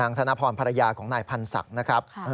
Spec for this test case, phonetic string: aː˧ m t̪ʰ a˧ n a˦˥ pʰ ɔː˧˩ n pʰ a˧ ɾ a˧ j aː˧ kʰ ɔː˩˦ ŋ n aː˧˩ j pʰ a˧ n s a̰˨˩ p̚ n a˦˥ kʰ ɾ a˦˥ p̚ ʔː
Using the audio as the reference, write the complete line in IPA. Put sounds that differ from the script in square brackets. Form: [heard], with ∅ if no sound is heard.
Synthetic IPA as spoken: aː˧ [ŋ] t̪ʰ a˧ n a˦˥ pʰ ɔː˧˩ n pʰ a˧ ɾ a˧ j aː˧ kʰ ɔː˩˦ ŋ n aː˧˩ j pʰ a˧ n s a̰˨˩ [k̚] n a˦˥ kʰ ɾ a˦˥ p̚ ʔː